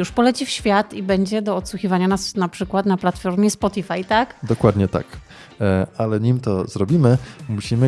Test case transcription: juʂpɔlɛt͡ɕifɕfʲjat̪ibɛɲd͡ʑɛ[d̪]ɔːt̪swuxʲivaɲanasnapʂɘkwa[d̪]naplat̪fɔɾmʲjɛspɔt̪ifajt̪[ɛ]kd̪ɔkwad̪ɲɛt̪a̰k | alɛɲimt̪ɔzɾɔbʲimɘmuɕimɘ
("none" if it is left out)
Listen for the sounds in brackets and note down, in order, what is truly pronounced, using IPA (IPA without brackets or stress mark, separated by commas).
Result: d̪, t̪, a